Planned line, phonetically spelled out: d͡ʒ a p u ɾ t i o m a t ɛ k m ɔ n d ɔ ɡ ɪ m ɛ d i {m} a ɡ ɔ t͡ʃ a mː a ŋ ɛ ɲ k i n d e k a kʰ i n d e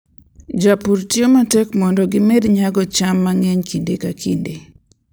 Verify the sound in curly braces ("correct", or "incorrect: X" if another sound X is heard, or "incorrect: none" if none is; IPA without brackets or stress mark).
incorrect: ɲ